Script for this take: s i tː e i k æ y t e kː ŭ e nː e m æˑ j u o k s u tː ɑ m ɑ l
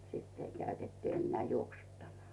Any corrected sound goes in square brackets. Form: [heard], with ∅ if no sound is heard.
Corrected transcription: s i tː e i k æ y t e [tː] ŭ e nː e [∅] æˑ j u o k s u tː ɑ m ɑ l